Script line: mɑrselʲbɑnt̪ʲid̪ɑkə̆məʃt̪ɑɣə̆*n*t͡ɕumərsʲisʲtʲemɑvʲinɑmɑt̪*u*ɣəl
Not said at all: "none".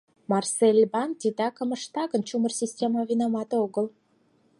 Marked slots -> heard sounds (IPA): n, o

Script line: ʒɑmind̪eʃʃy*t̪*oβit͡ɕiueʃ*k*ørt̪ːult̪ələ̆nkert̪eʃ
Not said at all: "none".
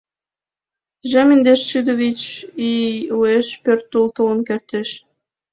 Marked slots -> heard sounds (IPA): d̪, p

